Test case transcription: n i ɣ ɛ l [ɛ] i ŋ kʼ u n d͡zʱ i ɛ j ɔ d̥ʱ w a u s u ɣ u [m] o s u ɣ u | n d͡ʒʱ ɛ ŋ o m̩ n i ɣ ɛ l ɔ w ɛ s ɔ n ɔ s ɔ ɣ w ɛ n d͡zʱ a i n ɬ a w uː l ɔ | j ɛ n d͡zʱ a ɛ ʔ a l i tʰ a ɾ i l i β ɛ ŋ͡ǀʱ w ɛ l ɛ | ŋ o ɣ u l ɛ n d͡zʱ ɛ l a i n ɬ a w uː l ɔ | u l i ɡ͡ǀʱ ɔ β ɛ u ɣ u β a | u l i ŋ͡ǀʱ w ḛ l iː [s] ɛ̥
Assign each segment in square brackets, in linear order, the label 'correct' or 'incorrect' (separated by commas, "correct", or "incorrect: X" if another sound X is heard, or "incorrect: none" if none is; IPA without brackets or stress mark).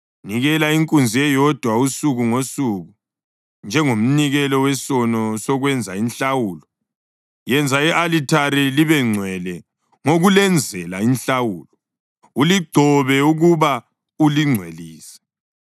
incorrect: a, incorrect: ŋ, correct